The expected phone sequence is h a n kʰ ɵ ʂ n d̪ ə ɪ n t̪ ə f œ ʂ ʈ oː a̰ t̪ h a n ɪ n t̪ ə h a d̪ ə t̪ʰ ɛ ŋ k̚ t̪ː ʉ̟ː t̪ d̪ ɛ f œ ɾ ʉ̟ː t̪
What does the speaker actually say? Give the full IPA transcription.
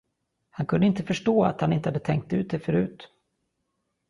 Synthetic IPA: h a n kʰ ɵ n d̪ ə ɪ n t̪ ə f œ ʂ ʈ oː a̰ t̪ h a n ɪ n t̪ ə h a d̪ ə t̪ʰ ɛ ŋ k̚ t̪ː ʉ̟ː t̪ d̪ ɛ f œ ɾ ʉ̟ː t̪

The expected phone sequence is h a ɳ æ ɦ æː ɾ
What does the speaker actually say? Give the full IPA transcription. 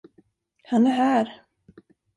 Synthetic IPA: h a n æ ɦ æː ɾ

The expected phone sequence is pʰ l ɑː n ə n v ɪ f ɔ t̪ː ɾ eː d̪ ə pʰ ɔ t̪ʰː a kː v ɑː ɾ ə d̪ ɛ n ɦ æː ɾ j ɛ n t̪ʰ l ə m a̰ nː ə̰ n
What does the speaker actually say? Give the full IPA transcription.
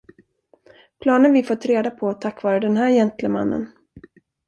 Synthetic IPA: pʰ l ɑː n ə n v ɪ f ɔ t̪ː ɾ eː d̪ a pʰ ɔ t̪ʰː a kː v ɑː ɾ ə d̪ ɛ n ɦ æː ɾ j ɛ n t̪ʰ l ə m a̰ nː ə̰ n

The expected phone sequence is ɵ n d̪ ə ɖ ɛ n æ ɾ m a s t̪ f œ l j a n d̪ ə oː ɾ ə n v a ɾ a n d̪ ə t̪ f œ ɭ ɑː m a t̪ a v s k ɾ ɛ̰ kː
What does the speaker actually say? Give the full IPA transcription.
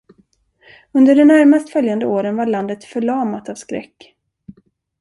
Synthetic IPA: ɵ n d̪ ə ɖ ɛ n æ ɾ m a s t̪ f œ l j a n d̪ ə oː ɾ ə n v a ɭ a n d̪ ə t̪ f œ ɭ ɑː m a t̪ a v s k ɾ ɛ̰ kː

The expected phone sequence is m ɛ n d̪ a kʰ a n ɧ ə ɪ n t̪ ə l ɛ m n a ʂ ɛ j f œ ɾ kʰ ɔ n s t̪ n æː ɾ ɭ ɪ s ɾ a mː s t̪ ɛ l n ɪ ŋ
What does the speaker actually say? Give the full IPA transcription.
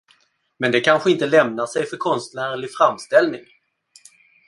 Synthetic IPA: m ɛ n d̪ ɛ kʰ a n ɧ ə ɪ n t̪ ə l ɛ m n a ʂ ɛ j f œ ɾ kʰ ɔ n s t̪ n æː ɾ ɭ ɪ f ɾ a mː s t̪ ɛ l n ɪ ŋ

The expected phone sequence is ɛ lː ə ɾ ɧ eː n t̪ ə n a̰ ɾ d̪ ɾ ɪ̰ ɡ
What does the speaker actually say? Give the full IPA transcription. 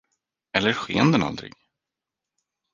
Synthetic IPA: ɛ lː ə ɾ ɧ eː n d̪ ə n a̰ l d̪ ɾ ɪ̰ ɡ

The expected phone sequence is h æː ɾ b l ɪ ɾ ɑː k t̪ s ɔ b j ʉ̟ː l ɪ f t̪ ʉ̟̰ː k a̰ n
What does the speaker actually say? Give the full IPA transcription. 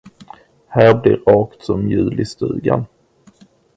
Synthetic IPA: h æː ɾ b l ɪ ɾ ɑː k t̪ s ɔ m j ʉ̟ː l ɪ s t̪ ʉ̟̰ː ɡ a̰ n

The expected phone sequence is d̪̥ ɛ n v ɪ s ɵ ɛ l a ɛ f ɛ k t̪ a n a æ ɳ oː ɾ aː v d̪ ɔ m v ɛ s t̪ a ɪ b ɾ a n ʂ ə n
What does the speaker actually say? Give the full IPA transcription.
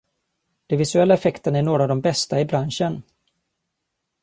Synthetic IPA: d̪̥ ɛ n v ɪ s ɵ ɛ lː a ɛ f ɛ k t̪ ə n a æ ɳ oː ɾ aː v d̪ ɔ m b ɛ s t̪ a ɪ b ɾ a n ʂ ə n

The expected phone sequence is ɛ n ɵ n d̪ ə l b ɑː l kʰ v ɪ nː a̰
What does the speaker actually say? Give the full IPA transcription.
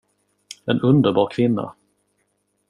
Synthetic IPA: ɛ n ɵ n d̪ ə ɾ b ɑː ɾ kʰ v ɪ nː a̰

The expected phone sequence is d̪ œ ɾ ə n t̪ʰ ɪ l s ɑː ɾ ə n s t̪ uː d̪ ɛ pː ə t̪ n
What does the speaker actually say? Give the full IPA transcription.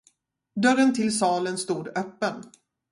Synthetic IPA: d̪ œ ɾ ə n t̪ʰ ɪ l s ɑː l ə n s t̪ uː d̪ œ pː ə n

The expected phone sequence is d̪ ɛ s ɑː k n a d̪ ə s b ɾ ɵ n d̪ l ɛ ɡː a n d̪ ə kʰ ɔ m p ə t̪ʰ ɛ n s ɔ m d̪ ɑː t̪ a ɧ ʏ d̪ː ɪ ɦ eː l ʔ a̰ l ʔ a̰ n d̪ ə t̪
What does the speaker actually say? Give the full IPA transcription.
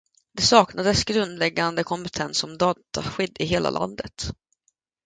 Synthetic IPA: d̪ ɛ s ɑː k n a d̪ ə s ɡ ɾ ɵ n d̪ l ɛ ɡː a n d̪ ə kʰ ɔ m p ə t̪ʰ ɛ n s ɔ m d̪ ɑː t̪ a ɧ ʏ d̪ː ɪ ɦ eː l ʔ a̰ l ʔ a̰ n d̪ ə t̪

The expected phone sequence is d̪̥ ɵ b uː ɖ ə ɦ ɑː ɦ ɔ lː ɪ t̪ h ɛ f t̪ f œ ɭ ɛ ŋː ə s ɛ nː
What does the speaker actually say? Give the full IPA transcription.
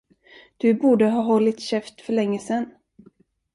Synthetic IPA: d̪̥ ɵ b uː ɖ ə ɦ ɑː ɦ ɔ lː ɪ t̪ ɕ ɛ f t̪ f œ ɭ ɛ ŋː ə s ɛ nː

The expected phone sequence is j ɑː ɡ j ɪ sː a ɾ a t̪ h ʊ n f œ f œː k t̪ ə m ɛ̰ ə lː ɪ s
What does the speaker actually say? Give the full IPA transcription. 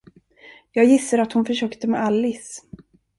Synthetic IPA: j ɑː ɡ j ɪ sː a ɾ a t̪ h ʊ n f œ ʂ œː k t̪ ə m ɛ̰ a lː ɪ s

